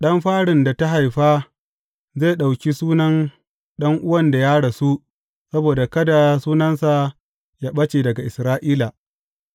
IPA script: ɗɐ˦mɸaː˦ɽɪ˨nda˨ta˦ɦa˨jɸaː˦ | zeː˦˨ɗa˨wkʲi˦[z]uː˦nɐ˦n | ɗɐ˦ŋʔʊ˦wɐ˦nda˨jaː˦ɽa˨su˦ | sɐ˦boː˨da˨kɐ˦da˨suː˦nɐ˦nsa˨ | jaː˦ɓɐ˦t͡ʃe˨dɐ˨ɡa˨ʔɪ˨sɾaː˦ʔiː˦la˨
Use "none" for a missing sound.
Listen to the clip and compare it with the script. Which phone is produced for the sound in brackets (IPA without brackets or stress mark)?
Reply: s